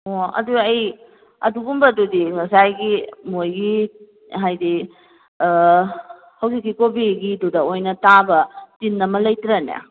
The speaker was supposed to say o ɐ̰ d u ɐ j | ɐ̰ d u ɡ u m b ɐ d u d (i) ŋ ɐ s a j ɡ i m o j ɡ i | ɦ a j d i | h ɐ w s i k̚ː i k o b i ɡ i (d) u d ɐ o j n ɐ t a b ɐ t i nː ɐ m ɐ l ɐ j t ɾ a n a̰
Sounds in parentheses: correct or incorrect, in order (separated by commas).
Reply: correct, correct